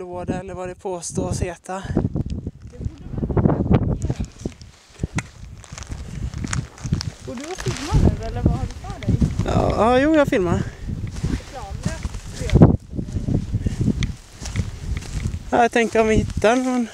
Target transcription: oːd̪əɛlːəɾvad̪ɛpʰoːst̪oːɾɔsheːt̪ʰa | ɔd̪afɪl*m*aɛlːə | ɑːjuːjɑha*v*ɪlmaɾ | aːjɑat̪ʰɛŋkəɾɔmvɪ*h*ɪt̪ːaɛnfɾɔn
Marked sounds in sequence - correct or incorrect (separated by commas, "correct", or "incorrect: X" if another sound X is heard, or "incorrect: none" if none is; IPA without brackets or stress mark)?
correct, incorrect: f, correct